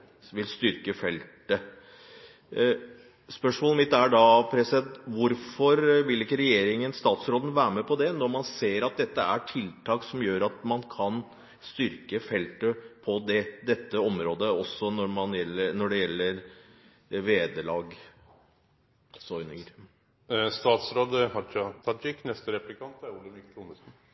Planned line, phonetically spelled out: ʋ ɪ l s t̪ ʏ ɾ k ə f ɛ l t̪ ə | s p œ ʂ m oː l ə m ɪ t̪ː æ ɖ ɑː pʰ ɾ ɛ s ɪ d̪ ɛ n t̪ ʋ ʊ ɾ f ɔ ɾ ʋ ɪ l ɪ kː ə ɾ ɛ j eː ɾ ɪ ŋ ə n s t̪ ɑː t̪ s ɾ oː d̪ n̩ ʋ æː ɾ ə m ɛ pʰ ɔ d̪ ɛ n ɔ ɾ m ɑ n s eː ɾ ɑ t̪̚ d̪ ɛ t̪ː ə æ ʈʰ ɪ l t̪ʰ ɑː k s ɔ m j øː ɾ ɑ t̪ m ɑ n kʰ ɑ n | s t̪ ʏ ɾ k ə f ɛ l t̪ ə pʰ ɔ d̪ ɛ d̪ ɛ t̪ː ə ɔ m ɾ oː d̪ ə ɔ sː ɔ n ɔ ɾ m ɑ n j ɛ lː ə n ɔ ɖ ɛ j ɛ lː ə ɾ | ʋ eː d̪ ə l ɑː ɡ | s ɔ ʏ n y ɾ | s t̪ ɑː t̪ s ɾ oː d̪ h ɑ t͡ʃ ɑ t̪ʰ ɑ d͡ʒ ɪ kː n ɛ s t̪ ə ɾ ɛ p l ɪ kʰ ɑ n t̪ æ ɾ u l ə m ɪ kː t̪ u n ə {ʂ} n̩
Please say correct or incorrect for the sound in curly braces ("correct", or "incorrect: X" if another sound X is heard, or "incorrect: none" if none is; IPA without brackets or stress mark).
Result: incorrect: s